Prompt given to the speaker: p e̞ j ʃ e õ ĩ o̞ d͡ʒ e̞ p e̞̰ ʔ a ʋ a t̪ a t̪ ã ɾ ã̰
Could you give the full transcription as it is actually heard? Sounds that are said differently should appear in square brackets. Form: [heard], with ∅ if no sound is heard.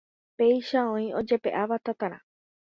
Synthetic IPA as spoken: p e̞ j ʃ [a] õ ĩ o̞ d͡ʒ e̞ p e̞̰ ʔ a ʋ a t̪ a t̪ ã ɾ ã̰